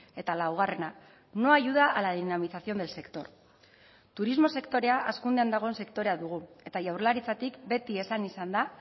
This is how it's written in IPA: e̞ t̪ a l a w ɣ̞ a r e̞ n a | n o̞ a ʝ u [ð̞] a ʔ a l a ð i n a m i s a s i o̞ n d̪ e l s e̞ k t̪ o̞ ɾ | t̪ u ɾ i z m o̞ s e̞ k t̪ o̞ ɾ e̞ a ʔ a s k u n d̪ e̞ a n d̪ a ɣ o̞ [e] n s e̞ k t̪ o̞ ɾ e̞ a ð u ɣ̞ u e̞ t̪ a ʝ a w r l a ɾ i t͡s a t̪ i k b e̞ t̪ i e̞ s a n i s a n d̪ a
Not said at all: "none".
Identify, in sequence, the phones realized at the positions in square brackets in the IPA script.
ð̞, e

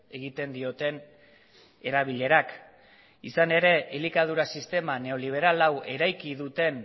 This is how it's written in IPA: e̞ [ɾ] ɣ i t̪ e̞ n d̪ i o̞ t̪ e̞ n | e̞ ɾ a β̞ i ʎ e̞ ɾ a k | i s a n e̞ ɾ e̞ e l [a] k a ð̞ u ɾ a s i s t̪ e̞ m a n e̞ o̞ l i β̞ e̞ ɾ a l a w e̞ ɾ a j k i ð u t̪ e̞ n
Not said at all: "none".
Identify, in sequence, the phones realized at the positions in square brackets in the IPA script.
none, i

